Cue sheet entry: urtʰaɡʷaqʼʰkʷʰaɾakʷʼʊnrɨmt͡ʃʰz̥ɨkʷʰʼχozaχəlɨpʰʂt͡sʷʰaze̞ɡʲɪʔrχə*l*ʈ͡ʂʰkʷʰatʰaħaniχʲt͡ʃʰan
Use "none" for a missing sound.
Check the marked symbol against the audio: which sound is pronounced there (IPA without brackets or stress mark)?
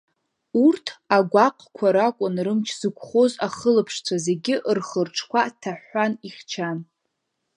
r